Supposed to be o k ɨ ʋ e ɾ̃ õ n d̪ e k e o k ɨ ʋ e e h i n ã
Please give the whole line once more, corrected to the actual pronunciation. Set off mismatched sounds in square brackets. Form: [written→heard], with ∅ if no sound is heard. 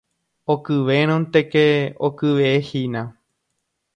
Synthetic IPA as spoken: o k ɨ ʋ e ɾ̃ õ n [d̪→t̪] e k e o k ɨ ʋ e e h i n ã